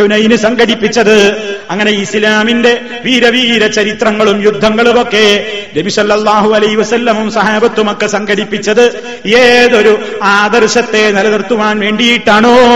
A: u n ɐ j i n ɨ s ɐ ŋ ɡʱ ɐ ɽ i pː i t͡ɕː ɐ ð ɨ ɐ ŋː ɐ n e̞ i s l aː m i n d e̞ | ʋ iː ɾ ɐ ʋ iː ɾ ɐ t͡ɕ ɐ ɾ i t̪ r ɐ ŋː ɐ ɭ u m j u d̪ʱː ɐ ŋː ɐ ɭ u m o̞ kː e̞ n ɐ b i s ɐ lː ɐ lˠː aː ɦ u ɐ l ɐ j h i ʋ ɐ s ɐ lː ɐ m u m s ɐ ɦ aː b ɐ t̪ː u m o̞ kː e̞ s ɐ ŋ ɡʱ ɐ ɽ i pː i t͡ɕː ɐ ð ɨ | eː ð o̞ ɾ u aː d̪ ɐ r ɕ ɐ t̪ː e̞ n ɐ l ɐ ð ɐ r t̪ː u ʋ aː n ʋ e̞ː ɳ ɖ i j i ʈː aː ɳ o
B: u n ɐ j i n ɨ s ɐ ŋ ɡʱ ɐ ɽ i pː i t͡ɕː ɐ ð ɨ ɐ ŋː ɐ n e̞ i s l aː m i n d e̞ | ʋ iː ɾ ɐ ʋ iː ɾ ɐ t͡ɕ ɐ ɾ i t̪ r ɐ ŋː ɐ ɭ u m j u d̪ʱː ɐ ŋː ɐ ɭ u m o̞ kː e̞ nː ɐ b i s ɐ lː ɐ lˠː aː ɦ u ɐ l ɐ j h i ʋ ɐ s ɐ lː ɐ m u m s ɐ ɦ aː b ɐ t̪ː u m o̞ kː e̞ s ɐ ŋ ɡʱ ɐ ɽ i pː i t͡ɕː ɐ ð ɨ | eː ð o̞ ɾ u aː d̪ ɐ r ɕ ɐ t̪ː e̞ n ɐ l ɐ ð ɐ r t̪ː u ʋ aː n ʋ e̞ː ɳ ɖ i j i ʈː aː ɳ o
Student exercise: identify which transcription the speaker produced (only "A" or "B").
A